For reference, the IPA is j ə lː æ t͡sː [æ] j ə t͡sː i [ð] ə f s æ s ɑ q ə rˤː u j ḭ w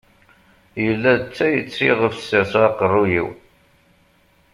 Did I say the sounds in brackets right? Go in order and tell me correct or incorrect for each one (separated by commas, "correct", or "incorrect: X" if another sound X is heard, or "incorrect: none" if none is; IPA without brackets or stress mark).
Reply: correct, incorrect: ʁ